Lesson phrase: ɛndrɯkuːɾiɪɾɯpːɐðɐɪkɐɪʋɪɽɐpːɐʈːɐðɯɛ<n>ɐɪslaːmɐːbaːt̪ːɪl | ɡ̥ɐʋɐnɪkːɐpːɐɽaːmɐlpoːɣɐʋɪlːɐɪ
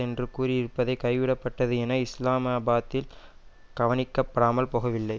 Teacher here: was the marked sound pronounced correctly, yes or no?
yes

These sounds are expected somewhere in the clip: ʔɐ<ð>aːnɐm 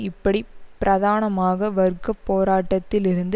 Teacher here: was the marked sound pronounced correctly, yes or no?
yes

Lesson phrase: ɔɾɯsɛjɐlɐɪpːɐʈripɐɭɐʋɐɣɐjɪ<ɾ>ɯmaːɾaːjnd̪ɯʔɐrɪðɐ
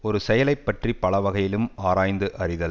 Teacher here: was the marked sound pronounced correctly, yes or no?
no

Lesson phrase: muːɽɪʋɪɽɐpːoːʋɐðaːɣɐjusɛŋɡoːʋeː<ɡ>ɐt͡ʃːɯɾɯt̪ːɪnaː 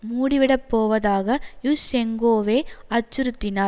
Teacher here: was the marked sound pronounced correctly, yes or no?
no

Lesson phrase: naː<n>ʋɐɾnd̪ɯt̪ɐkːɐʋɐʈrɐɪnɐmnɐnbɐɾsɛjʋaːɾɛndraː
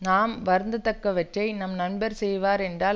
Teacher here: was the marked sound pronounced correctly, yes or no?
no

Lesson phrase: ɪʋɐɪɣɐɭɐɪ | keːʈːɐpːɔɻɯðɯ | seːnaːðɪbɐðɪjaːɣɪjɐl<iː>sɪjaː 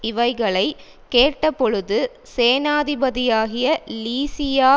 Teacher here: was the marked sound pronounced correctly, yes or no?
yes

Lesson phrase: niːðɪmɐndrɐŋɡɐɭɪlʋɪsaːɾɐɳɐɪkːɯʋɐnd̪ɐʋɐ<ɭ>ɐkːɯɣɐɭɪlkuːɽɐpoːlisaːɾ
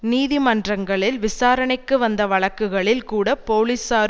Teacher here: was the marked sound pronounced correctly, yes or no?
yes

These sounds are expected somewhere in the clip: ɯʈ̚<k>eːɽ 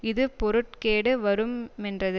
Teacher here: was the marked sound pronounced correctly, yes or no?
yes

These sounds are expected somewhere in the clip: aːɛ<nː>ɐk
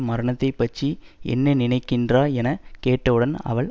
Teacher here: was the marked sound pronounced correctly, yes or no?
no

